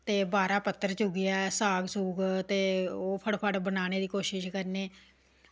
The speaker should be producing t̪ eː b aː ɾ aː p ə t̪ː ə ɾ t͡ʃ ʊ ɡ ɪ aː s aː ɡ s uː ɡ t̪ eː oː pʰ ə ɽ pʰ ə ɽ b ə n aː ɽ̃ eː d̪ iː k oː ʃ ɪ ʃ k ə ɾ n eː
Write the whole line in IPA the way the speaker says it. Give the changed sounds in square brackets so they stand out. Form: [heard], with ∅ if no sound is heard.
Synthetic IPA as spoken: t̪ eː b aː ɾ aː p ə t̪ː ə ɾ t͡ʃ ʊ ɡ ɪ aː s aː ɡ s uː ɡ t̪ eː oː pʰ ə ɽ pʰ ə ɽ b ə n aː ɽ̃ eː d̪ iː k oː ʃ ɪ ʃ k ə ɾ n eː